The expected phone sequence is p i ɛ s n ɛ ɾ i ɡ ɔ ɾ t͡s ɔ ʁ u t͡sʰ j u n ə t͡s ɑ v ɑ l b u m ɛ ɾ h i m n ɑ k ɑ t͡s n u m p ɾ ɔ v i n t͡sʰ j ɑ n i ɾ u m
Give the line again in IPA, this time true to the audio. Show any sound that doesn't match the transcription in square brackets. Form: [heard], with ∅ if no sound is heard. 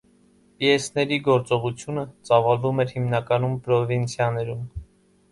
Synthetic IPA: p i ɛ s n ɛ ɾ i ɡ ɔ ɾ t͡s ɔ ʁ u t͡sʰ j u n ə t͡s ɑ v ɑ l [v] u m ɛ ɾ h i m n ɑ k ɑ [∅] n u m p ɾ ɔ v i n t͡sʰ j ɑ n [ɛ] ɾ u m